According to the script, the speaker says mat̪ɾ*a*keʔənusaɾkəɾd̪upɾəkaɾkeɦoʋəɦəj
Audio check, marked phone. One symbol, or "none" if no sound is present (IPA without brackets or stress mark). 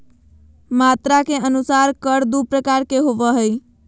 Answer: a